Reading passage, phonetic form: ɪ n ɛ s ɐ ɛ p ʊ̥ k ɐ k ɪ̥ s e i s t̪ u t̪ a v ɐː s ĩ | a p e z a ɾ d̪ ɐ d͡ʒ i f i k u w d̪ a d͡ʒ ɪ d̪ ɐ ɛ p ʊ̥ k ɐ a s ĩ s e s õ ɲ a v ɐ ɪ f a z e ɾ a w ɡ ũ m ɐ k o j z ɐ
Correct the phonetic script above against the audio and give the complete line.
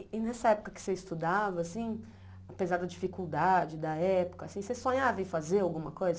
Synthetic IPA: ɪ n ɛ s ɐ ɛ p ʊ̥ k ɐ k ɪ̥ s e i s t̪ u d̪ a v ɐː s ĩ | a p e z a ɾ d̪ ɐ d͡ʒ i f i k u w d̪ a d͡ʒ ɪ d̪ ɐ ɛ p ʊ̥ k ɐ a s ĩ s e s õ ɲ a v ɐ ɪ f a z e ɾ a w ɡ ũ m ɐ k o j z ɐ